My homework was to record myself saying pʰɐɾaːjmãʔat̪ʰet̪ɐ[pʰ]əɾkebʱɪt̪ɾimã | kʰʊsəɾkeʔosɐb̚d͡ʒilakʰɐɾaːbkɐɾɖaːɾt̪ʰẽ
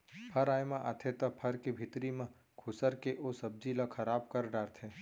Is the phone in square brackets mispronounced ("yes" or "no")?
no